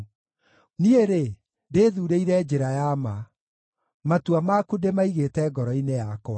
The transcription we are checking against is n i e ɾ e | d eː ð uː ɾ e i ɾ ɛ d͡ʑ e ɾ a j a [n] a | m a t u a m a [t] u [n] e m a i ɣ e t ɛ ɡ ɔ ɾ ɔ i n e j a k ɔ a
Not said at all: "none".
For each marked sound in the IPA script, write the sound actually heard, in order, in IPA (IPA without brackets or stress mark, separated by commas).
m, k, d